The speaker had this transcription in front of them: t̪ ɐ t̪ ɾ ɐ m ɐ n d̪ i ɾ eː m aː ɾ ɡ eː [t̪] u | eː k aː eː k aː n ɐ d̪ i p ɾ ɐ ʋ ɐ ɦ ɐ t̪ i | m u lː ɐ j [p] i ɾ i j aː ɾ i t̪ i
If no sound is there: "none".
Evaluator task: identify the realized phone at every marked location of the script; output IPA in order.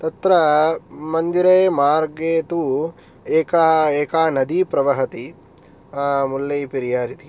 t̪, p

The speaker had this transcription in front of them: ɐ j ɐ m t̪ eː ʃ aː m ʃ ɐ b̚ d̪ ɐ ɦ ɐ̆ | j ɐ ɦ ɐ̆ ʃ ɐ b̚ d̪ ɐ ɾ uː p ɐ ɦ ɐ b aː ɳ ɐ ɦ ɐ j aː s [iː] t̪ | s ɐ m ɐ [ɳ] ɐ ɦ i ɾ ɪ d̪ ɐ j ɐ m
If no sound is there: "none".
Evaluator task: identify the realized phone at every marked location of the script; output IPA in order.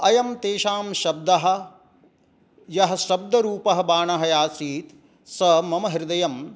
iː, m

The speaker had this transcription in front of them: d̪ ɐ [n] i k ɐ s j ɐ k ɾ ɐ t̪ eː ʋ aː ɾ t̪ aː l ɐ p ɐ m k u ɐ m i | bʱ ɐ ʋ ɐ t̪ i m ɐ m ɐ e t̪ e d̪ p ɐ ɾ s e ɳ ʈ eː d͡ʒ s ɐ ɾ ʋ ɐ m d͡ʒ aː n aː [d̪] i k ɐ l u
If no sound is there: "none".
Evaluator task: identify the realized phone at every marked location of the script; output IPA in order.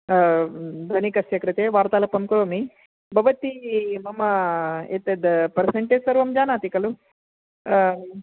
n, t̪

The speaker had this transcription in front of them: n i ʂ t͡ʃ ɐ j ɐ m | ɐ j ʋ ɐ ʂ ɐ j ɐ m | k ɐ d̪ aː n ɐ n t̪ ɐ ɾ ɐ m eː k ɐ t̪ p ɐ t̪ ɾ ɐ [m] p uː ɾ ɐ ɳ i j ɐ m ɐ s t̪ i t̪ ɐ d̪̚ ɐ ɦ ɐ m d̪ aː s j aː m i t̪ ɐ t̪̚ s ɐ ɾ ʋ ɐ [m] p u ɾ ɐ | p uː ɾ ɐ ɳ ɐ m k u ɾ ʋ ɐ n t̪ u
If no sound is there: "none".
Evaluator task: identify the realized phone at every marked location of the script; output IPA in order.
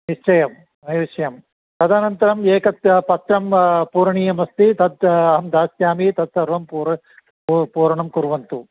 m, m

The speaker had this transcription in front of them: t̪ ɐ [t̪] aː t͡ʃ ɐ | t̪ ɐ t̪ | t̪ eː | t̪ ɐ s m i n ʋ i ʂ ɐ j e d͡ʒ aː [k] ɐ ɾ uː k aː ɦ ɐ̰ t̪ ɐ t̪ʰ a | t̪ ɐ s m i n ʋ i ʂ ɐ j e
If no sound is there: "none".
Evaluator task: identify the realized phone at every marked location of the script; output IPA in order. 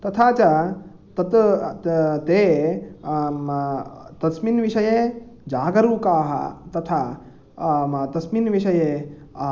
t̪ʰ, ɡ

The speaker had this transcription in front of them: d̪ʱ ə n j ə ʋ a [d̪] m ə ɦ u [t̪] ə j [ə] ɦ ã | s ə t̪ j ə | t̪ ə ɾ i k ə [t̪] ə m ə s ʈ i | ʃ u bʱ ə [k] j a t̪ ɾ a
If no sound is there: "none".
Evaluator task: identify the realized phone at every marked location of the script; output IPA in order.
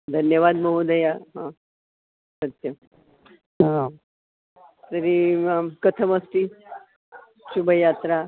d̪, d̪, a, t̪ʰ, none

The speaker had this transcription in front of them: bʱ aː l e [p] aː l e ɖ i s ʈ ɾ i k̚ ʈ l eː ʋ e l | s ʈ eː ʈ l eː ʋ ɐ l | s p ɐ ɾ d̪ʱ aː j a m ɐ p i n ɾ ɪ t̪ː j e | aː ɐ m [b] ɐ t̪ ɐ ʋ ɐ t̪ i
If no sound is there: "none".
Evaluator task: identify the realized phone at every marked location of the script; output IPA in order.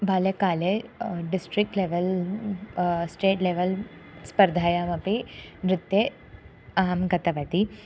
k, ɡ

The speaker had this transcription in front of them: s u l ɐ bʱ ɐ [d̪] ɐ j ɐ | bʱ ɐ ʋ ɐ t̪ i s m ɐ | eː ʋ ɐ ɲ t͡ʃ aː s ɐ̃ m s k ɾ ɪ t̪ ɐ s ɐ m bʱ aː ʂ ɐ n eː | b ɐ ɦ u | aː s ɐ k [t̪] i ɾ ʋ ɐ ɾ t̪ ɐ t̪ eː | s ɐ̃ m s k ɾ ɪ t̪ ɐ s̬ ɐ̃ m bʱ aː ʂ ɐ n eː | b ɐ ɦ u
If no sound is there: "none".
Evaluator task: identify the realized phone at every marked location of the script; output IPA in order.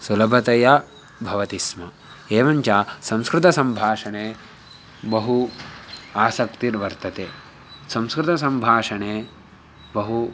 t̪, t̪

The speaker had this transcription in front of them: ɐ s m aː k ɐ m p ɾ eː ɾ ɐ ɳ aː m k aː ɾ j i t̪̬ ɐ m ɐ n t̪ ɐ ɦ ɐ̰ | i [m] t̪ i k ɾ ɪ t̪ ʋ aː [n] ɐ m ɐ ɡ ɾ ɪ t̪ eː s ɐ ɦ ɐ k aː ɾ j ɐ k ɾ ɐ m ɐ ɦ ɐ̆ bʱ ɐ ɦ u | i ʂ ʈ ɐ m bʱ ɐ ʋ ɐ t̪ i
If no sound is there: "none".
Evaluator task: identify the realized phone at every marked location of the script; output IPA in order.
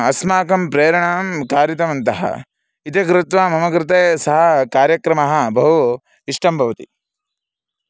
none, m

